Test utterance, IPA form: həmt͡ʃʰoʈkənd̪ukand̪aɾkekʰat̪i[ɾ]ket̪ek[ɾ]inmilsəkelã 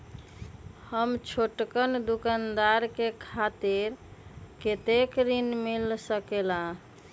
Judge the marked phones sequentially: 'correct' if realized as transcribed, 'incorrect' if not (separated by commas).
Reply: correct, correct